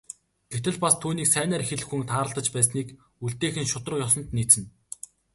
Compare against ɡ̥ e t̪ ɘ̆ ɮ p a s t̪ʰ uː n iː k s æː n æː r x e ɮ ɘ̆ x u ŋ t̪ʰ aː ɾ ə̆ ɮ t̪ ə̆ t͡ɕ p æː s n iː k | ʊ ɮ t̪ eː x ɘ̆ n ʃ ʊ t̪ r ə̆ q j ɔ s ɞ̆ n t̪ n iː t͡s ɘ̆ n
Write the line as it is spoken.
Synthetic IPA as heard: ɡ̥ e t̪ ɘ̆ ɮ p a s t̪ʰ uː n iː k s æː n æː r x e ɮ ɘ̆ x u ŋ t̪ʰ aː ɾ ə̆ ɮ t̪ ə̆ t͡ɕ p æː s n iː k | u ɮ t̪ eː x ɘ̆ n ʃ ʊ t̪ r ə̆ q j ɔ s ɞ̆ n t̪ n iː t͡s ɘ̆ n